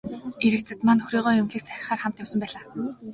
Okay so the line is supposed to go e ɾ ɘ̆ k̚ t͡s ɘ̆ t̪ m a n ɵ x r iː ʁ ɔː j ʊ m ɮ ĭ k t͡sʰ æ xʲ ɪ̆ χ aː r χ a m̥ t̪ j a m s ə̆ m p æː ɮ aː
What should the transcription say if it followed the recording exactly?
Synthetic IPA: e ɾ ɘ̆ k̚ t͡s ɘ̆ t̪ m a n ɵ x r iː ʁ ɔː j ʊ m ɮ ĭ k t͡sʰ æ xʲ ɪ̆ χ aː r χ a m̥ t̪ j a m s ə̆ m p æː ɮ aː

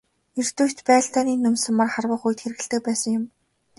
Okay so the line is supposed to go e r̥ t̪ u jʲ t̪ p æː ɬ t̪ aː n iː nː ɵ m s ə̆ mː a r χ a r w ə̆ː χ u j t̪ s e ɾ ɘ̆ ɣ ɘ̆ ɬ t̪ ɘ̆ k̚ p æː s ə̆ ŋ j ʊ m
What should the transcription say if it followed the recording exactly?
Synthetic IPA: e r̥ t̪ u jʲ t̪ p æː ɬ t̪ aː n iː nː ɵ m s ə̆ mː a r χ a r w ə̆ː χ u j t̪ x e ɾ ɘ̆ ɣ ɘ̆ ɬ t̪ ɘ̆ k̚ p æː s ə̆ ŋ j ʊ m

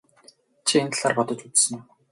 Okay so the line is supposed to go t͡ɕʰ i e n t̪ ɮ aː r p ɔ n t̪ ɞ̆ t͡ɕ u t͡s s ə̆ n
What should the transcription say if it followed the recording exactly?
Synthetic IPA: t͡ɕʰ i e n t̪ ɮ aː r p ɔ t̪ ɞ̆ t͡ɕ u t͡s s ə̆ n

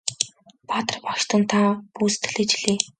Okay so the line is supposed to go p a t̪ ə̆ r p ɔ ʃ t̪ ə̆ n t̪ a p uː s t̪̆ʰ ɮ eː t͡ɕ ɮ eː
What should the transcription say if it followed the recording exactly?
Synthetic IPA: p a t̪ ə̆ r p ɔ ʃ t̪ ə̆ n t̪ʰ a p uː s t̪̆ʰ ɮ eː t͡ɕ ɮ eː

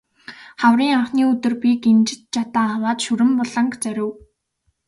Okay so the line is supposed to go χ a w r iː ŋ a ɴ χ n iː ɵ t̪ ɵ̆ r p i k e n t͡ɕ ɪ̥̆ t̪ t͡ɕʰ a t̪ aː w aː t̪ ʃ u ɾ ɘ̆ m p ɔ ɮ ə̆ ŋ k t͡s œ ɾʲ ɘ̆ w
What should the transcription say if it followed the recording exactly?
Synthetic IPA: χ a w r iː ŋ a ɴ χ n iː ɵ t̪ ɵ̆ r p i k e n t͡ɕ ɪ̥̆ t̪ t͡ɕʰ a t̪ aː w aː t̪ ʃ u ɾ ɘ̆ m p ɔ ɮ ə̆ ŋ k t͡s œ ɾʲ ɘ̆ w

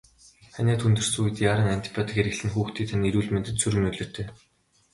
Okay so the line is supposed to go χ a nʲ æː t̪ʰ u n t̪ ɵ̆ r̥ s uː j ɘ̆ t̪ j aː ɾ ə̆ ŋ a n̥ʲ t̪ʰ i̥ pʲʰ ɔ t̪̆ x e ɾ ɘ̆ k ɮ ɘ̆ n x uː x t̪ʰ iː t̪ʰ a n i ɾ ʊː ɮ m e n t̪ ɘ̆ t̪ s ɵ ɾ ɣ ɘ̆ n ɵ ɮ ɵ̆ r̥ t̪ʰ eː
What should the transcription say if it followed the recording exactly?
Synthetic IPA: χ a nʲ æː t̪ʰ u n t̪ ɵ̆ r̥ s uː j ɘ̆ t̪ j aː ɾ ə̆ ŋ a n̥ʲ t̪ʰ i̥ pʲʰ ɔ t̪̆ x e ɾ ɘ̆ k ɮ ɘ̆ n x uː x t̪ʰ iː t̪ʰ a n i ɾ uː ɮ m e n t̪ ɘ̆ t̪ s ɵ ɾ ɣ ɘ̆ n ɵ ɮ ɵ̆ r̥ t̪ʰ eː

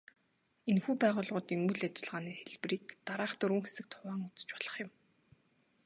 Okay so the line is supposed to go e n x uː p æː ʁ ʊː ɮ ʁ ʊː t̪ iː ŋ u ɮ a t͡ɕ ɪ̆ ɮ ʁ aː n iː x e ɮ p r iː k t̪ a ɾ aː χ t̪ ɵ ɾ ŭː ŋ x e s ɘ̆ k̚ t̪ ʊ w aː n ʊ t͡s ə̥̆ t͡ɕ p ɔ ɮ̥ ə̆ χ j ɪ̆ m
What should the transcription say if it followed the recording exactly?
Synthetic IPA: e n x uː p æː ʁ ʊː ɮ ʁ ʊː t̪ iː ŋ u ɮ a t͡ɕ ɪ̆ ɮ ʁ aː n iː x e ɮ p r iː k t̪ a ɾ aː χ t̪ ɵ ɾ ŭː ŋ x e s ɘ̆ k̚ t̪ʰ ʊ w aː ŋ ʊ t͡s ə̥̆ t͡ɕ p ɔ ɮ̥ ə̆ χ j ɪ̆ m

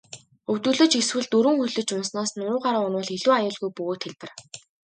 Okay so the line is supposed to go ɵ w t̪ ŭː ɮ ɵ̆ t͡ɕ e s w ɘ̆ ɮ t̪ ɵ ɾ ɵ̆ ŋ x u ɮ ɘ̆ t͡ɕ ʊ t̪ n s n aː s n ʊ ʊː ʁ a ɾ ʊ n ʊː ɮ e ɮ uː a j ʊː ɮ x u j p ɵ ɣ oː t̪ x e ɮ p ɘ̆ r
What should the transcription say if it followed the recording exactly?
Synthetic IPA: ɵ w t̪ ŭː ɮ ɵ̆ t͡ɕ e s w ɘ̆ ɮ t̪ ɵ ɾ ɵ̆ ŋ x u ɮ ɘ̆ t͡ɕ ʊ n s n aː s n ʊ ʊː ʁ a ɾ ʊ n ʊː ɮ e ɮ uː a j ʊː ɮ ɣ u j p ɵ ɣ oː t̪ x e ɮ p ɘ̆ r

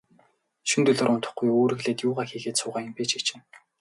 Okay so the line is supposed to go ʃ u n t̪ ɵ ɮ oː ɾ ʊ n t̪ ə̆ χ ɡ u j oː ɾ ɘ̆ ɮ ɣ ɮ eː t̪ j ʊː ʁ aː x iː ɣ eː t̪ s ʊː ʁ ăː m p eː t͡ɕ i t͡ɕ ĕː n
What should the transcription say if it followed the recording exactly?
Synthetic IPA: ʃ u n t̪ ɵ ɮ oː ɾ ʊ n t̪ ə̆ χ ɡ u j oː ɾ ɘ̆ ɣ ɮ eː t̪ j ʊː ʁ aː x iː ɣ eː t̪ s ʊː ʁ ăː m p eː t͡ɕ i t͡ɕ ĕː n

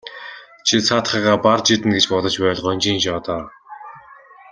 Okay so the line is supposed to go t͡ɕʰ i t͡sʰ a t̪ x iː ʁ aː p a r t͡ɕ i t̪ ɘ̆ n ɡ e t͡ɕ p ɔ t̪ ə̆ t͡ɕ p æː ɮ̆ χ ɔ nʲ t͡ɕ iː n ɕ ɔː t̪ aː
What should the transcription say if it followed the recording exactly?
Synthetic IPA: t͡ɕʰ i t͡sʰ a t̪ χ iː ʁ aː p a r t͡ɕ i t̪ ɘ̆ n ɡ e t͡ɕ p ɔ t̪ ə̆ t͡ɕ p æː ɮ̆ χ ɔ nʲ t͡ɕ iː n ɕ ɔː t̪ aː

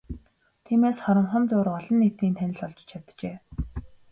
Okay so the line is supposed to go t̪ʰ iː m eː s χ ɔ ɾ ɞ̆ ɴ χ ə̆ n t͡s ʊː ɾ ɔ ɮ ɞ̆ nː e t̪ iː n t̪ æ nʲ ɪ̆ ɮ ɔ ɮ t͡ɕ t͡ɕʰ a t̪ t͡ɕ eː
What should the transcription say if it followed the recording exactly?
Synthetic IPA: t̪ʰ iː m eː s χ ɔ ɾ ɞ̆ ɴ χ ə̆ n t͡s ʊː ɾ ɔ ɮ ɞ̆ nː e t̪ iː n t̪ʰ æ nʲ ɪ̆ ɮ ɔ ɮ t͡ɕ t͡ɕʰ a t̪ t͡ɕ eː

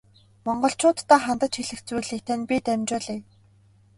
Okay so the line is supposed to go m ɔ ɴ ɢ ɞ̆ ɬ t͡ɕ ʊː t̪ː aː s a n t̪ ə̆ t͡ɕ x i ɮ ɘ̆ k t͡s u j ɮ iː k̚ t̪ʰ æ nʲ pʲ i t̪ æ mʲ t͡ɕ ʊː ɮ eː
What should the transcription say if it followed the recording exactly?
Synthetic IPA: m ɔ ɴ ɢ ɞ̆ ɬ t͡ɕ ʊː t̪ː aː χ a n t̪ ə̆ t͡ɕ x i ɮ ɘ̆ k t͡s u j ɮ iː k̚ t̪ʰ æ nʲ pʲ i t̪ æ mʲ t͡ɕ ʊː ɮ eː

